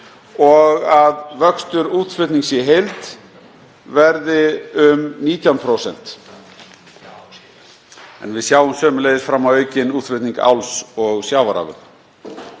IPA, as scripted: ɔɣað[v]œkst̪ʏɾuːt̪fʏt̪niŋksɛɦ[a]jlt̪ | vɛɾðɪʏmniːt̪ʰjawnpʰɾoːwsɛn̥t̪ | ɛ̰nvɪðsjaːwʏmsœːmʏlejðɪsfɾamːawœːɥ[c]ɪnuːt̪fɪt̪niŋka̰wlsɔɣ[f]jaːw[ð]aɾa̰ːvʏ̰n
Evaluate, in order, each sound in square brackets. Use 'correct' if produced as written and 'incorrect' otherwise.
correct, incorrect, correct, incorrect, incorrect

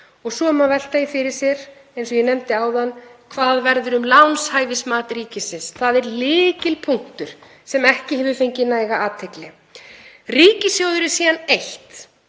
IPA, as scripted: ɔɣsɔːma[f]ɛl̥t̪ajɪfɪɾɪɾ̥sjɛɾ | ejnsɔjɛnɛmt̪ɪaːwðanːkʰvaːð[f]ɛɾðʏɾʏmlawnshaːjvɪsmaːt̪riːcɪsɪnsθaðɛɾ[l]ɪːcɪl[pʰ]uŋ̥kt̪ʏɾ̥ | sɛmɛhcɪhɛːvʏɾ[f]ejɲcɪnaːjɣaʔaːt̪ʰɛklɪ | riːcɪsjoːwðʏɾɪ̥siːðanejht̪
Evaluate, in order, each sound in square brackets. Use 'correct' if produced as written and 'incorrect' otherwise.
incorrect, incorrect, correct, correct, correct

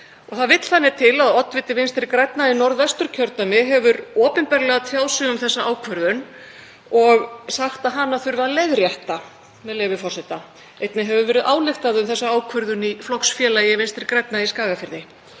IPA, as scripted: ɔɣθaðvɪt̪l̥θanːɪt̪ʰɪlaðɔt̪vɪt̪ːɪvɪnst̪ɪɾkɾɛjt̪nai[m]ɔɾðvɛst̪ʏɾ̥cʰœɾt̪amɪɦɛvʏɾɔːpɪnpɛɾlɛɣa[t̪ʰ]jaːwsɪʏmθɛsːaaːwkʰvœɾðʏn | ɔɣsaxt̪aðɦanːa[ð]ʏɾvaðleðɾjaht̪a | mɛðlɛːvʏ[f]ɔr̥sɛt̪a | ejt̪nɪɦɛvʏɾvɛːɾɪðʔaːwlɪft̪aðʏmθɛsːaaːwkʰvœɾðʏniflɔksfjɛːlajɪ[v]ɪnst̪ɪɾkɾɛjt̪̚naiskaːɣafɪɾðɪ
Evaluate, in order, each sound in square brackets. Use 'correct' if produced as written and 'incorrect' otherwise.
incorrect, correct, incorrect, correct, correct

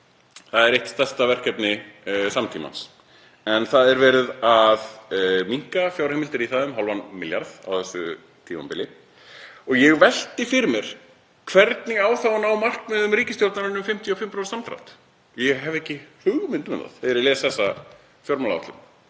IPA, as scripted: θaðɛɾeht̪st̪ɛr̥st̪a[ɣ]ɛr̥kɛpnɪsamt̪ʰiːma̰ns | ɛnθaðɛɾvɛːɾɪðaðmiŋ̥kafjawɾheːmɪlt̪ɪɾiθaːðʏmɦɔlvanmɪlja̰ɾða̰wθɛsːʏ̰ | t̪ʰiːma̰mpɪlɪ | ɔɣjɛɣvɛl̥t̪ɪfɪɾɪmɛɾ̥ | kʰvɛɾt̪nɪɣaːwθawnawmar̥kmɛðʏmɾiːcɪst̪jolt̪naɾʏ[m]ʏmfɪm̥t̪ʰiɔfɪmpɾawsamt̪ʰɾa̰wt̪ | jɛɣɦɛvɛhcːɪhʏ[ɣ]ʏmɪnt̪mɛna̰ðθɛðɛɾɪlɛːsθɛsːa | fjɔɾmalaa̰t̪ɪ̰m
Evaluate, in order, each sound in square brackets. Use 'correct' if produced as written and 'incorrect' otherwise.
incorrect, incorrect, correct

